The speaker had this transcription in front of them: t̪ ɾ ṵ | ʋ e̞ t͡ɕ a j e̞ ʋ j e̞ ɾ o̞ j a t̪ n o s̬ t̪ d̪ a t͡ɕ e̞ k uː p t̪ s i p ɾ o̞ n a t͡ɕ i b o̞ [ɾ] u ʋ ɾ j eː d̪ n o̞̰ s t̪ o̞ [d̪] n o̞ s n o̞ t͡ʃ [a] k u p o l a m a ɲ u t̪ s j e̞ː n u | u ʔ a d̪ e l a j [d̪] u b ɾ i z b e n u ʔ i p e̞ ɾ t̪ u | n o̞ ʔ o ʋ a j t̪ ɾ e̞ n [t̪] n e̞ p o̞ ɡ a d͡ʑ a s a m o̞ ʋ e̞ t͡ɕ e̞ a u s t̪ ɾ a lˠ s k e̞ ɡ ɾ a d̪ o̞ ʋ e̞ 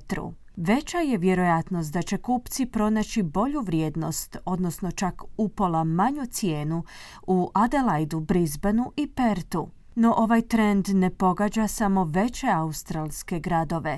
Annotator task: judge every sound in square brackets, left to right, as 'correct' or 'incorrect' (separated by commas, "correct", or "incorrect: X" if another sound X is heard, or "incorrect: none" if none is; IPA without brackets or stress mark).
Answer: incorrect: ʎ, correct, correct, correct, incorrect: d̪